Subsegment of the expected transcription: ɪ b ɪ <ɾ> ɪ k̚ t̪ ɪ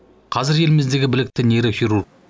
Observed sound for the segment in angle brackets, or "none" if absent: l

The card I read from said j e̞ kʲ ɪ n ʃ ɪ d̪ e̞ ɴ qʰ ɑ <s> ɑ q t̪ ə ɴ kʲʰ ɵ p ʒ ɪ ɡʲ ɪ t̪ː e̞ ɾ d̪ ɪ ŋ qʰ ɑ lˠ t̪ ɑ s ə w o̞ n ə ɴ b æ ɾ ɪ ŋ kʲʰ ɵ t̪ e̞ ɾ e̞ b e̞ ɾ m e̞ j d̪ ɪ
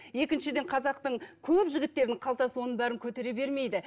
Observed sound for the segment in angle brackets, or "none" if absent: z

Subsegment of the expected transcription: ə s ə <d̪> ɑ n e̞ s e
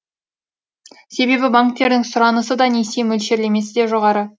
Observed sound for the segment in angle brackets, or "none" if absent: d̪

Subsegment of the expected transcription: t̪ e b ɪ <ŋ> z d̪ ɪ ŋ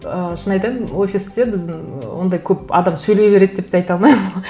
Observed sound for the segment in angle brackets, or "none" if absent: none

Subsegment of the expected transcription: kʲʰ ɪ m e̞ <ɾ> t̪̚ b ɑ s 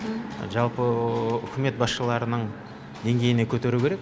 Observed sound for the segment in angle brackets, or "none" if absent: none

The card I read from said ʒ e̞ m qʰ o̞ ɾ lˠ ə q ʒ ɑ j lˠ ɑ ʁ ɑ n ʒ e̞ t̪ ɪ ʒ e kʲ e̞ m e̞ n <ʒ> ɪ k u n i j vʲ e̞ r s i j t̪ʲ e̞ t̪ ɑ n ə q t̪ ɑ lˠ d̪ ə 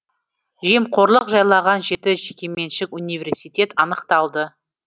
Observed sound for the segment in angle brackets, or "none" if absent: ʃ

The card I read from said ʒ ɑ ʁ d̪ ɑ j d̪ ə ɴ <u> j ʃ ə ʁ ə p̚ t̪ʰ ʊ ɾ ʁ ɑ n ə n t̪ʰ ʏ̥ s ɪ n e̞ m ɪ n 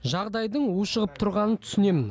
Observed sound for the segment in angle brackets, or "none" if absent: u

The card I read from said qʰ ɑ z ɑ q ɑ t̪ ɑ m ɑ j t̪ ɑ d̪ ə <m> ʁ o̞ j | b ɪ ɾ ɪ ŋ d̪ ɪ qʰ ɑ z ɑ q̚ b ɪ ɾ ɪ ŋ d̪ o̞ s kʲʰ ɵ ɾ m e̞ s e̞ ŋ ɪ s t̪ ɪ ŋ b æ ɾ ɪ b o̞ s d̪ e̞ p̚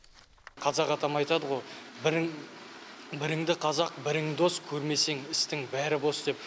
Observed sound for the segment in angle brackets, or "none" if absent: none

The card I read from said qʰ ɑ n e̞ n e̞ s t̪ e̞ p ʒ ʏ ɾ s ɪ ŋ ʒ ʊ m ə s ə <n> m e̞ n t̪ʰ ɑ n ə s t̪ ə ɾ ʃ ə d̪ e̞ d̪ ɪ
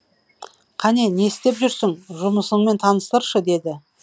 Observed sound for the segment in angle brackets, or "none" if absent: ɴ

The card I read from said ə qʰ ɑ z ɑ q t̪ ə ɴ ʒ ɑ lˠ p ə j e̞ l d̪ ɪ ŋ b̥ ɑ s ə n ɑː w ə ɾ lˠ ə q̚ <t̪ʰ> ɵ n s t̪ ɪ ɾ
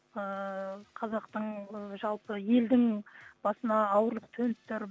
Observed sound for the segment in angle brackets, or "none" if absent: t̪ʰ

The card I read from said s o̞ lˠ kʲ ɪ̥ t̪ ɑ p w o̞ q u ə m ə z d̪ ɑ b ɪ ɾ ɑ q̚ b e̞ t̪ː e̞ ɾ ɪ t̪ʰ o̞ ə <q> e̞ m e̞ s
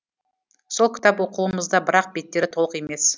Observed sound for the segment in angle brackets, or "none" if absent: q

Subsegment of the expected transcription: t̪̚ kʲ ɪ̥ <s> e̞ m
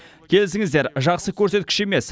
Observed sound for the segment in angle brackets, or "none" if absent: ʃ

